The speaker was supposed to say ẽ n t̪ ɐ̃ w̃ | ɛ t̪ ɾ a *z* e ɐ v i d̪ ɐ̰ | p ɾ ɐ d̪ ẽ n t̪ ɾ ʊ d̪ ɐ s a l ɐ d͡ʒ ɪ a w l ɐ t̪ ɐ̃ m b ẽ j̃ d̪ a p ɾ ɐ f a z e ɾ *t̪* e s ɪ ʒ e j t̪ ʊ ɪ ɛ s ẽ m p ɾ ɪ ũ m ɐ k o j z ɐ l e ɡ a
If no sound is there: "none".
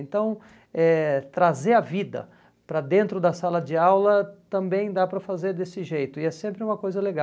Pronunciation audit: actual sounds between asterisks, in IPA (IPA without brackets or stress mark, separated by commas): z, d̪